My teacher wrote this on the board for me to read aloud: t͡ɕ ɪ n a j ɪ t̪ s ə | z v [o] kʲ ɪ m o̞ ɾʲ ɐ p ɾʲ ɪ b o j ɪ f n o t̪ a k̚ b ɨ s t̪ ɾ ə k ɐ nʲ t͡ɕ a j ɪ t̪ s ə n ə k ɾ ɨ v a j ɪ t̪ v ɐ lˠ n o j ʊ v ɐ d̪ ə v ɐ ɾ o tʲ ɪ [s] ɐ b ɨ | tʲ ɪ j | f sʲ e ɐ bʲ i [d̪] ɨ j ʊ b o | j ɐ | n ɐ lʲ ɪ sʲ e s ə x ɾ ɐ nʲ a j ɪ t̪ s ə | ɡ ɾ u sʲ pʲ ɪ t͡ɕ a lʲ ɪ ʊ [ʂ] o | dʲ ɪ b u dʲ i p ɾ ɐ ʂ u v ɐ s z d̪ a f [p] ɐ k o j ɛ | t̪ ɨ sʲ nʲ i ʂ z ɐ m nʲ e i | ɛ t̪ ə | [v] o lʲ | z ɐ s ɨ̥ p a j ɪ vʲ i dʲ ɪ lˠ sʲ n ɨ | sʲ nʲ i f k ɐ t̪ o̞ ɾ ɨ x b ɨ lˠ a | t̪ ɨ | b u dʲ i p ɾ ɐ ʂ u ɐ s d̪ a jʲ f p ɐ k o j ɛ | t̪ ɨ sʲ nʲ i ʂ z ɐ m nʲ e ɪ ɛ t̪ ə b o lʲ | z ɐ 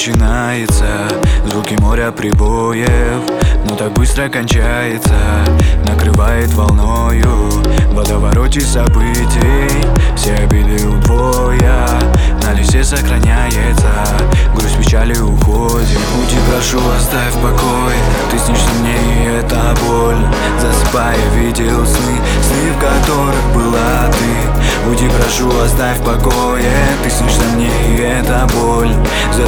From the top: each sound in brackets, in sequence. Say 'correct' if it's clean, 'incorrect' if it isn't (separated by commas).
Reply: incorrect, correct, correct, incorrect, correct, incorrect